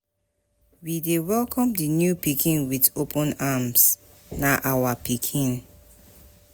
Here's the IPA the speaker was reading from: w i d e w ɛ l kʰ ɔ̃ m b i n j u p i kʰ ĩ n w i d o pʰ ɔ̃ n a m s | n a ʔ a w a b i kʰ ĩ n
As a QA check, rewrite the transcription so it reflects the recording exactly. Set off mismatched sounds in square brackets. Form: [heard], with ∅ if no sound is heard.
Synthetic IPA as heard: w i d e w ɛ l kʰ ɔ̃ m [d] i n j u p i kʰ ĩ n w i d o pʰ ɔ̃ n a m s | n a ʔ a w a [p] i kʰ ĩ n